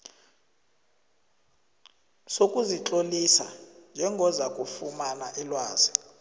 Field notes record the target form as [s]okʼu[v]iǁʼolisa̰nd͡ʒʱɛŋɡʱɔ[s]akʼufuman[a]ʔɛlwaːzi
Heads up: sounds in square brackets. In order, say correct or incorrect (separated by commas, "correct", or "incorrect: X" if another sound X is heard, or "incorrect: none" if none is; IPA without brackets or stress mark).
correct, incorrect: z, incorrect: z, correct